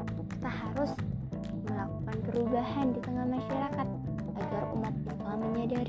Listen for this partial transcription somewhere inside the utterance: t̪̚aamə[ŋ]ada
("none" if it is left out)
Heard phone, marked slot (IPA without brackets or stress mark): ɲ